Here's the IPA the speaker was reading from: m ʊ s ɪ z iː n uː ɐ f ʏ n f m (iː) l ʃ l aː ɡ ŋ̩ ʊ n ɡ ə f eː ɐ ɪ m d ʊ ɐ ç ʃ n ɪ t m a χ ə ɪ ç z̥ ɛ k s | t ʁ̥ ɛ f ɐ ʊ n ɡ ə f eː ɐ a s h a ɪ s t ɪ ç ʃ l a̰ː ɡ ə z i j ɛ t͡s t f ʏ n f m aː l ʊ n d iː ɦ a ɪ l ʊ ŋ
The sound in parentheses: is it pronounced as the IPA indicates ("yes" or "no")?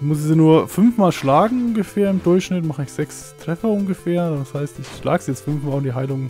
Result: no